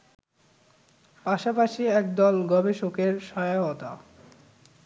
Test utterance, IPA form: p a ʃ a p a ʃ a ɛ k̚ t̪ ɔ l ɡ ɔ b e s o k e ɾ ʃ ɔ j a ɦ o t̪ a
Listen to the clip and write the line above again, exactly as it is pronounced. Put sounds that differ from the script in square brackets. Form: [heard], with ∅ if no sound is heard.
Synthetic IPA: p a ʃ a p a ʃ [i] ɛ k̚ [d̪] ɔ l ɡ ɔ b e [ʃ] o k e ɾ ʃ ɔ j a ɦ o t̪ a

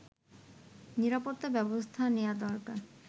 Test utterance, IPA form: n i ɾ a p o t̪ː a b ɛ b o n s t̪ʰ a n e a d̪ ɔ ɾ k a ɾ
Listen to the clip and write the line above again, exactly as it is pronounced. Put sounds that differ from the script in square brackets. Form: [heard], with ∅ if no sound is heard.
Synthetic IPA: n i ɾ a p o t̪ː a b ɛ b o [∅] s t̪ʰ a n e a d̪ ɔ ɾ k a ɾ

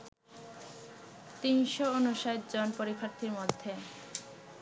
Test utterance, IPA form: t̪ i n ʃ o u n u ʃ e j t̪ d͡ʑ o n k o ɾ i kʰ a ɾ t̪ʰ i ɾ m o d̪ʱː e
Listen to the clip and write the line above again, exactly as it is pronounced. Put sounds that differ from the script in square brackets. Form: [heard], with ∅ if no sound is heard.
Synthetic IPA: t̪ i n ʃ o [o] n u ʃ [a] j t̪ d͡ʑ o n [p] o ɾ i kʰ a ɾ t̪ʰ i ɾ m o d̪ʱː e

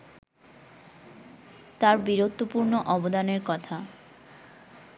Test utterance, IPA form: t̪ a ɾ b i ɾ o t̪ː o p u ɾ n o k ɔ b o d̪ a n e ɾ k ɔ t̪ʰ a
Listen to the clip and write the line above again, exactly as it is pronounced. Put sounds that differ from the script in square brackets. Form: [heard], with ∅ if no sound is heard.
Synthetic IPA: t̪ a ɾ b i ɾ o t̪ː o p u ɾ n o [ʔ] ɔ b o d̪ a n e ɾ k ɔ t̪ʰ a

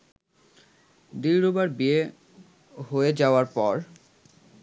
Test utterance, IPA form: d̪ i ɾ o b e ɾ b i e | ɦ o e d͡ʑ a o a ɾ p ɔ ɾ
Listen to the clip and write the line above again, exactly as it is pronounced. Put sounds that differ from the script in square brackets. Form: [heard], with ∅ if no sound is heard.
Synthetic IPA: d̪ i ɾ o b [a] ɾ b i e | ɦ o e d͡ʑ a o a ɾ p ɔ ɾ

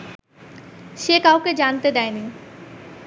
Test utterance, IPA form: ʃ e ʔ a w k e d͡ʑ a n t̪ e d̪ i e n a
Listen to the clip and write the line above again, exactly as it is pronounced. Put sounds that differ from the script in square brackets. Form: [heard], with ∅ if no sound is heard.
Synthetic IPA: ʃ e [k] a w k e d͡ʑ a n t̪ e d̪ [ɛ] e n [i]

